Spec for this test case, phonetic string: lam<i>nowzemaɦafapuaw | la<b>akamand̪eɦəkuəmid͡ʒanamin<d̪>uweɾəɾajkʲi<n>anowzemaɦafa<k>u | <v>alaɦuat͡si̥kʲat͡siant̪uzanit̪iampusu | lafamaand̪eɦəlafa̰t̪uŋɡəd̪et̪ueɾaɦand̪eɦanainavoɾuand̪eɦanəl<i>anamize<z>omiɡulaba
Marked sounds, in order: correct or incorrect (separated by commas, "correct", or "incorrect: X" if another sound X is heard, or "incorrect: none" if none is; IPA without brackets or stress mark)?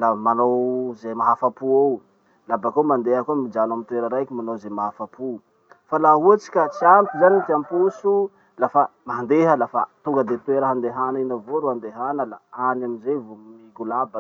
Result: incorrect: a, correct, incorrect: t̪, incorrect: m, incorrect: p, incorrect: f, incorrect: a, incorrect: v